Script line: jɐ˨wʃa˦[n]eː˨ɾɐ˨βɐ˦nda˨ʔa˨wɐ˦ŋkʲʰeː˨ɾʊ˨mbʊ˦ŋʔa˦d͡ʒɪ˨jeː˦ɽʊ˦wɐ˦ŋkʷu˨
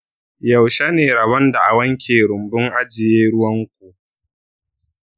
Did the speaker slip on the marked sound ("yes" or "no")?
no